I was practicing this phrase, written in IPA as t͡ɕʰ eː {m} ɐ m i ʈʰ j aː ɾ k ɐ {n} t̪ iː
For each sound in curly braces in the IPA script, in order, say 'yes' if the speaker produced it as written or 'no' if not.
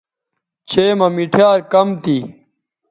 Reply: yes, no

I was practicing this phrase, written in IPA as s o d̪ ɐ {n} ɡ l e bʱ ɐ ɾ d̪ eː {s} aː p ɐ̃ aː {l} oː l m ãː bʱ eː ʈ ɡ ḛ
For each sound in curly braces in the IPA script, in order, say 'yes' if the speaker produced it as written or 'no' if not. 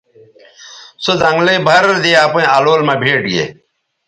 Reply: no, no, yes

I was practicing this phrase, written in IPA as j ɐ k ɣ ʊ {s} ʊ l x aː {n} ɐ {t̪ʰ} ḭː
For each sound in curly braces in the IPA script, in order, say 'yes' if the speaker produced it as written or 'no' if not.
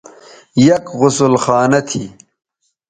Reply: yes, yes, yes

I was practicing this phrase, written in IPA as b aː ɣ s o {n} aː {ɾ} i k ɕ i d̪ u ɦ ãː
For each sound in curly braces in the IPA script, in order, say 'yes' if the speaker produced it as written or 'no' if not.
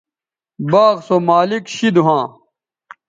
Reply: no, no

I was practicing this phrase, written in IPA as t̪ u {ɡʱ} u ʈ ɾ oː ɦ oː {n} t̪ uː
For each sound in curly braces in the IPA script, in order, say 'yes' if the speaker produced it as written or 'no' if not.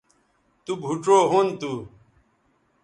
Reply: no, yes

